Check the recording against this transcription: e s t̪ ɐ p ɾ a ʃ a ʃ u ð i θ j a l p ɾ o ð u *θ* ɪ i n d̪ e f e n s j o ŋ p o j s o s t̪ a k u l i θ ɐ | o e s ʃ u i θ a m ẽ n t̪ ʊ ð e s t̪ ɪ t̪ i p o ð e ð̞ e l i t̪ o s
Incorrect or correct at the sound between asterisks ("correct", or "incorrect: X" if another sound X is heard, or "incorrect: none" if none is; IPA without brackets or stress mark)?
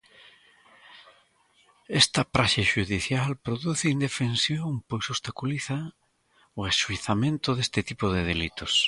correct